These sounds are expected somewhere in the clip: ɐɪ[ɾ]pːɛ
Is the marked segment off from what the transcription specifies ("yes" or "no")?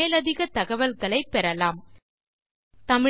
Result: yes